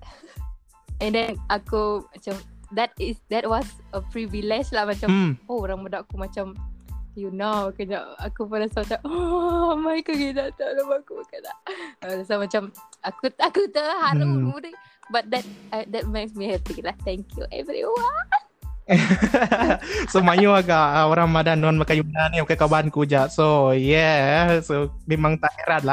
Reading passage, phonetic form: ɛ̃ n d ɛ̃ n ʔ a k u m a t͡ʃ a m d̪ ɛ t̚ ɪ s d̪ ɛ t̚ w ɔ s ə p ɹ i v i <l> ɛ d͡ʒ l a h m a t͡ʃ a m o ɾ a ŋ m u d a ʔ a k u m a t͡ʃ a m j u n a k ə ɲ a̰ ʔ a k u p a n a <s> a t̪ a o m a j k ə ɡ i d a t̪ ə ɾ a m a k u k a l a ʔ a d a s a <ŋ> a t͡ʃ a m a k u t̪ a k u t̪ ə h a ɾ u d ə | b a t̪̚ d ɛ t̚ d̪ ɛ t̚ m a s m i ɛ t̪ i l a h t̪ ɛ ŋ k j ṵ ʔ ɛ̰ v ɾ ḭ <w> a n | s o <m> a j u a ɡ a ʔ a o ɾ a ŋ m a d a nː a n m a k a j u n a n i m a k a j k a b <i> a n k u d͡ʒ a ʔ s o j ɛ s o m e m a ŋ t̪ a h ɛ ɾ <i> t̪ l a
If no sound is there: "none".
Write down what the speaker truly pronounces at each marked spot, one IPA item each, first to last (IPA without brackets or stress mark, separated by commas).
l, s, m, w, m, a, a